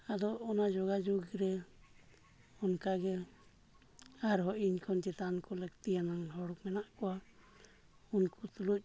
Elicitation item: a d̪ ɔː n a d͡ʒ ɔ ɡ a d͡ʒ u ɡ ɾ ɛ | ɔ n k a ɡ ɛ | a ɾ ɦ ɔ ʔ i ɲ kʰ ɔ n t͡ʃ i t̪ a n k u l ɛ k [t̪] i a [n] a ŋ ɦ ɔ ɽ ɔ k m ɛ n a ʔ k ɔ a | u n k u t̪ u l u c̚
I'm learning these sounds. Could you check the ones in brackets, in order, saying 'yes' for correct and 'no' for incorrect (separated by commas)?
yes, yes